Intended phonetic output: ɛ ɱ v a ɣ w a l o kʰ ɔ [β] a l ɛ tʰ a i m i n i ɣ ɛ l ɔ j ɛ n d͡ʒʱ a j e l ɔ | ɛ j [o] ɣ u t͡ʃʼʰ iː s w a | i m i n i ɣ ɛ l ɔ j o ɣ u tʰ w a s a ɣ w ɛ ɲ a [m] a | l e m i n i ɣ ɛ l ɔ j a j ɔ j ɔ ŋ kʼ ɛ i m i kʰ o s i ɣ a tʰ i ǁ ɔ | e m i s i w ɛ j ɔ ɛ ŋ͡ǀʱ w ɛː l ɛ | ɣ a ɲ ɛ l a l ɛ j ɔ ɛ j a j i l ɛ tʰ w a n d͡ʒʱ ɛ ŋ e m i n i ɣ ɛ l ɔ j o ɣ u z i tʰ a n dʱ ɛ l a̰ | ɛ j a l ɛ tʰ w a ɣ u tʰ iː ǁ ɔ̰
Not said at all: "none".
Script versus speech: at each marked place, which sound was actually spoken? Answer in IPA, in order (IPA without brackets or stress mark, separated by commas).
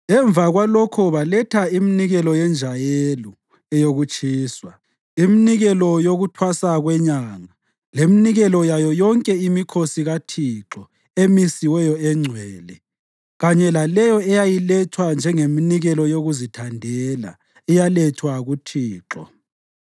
β, o, ŋ